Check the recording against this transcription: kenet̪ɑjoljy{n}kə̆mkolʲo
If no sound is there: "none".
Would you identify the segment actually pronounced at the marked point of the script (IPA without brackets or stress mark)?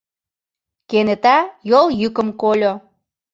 none